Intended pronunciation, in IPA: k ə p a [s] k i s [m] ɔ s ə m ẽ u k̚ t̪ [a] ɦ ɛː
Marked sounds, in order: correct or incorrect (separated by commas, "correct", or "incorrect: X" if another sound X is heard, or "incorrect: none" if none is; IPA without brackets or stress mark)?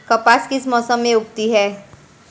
correct, correct, incorrect: i